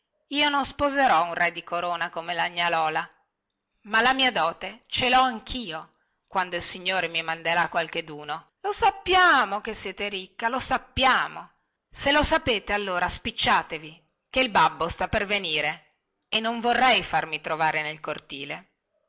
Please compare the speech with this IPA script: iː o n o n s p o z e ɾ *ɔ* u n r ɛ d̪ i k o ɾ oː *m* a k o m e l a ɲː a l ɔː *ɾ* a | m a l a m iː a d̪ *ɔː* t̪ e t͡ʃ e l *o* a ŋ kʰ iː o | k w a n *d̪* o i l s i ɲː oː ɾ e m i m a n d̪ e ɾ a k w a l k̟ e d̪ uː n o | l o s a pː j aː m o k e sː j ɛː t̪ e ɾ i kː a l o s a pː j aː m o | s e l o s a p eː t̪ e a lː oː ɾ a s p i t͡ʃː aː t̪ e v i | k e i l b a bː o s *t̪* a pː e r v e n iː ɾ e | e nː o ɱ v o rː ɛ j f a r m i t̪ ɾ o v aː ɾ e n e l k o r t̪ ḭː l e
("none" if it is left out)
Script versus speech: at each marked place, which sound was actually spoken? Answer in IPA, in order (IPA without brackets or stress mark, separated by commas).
ɔ, n, l, ɔː, ɔ, d̪, t̪